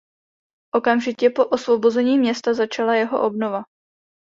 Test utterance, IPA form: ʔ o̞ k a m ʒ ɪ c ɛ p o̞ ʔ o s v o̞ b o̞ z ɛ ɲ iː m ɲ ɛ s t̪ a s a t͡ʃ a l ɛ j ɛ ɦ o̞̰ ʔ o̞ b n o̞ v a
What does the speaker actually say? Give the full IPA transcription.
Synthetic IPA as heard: ʔ o̞ k a m ʒ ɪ c ɛ p o̞ ʔ o s v o̞ b o̞ z ɛ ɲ iː m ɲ ɛ s t̪ a z a t͡ʃ a l a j ɛ ɦ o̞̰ ʔ o̞ b n o̞ v a